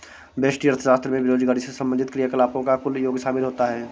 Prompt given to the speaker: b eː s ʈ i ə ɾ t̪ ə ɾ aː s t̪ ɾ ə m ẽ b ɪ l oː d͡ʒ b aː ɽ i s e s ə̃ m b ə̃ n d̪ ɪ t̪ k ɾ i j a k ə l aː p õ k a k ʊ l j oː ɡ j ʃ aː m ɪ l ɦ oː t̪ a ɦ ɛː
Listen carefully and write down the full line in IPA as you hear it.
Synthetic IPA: b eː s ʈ i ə ɾ t̪ʰ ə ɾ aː s t̪ ɾ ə m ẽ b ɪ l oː d͡ʒ ɡ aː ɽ i s e s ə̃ m b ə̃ n d̪ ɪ t̪ k ɾ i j a k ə l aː p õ k a k ʊ l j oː ɡ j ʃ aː m ɪ l ɦ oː t̪ a ɦ ɛː